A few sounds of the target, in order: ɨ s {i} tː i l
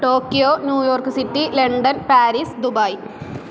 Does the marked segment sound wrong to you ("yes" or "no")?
no